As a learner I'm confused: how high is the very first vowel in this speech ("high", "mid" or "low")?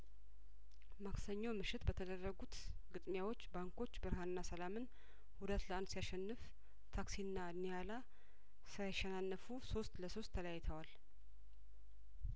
low